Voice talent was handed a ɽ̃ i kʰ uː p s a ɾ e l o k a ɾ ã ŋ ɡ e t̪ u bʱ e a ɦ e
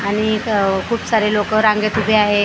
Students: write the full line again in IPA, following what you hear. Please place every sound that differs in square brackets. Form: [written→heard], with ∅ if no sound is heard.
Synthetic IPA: a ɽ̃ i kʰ uː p s a ɾ e l o k [a→ə] ɾ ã ŋ ɡ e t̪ u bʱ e a ɦ e